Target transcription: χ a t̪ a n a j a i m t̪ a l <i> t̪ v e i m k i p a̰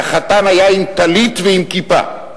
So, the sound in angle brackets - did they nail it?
yes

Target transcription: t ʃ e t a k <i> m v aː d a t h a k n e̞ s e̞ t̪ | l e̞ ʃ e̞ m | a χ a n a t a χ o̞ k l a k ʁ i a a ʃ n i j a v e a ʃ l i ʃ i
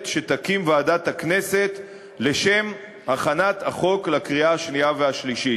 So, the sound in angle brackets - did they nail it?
yes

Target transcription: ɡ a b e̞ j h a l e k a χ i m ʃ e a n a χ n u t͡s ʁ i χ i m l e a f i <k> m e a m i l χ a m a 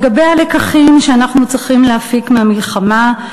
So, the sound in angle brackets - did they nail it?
yes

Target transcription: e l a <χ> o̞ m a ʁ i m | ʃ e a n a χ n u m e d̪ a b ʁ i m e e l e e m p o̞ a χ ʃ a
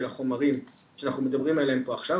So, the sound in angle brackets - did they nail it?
yes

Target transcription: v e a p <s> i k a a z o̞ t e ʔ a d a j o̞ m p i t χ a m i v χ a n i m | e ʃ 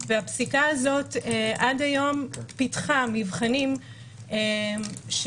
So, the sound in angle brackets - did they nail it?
yes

